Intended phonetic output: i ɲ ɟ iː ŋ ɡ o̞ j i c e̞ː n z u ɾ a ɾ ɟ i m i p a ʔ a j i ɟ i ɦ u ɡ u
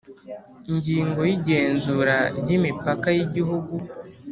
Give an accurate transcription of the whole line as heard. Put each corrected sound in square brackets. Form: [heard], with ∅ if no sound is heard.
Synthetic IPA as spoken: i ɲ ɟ iː ŋ ɡ o̞ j i [ɟ] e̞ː n z u ɾ a ɾ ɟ i m i p a [k] a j i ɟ i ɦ u ɡ u